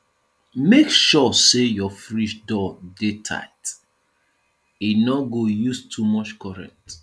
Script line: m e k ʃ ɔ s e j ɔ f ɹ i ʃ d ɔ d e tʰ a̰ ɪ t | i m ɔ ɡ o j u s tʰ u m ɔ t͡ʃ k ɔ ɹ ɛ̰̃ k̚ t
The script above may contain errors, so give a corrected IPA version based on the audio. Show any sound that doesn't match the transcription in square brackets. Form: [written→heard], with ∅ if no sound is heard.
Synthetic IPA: m e k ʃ ɔ s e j ɔ f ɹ i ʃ d ɔ d e tʰ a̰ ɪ t | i [m→n] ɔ ɡ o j u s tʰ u m ɔ t͡ʃ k ɔ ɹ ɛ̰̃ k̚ t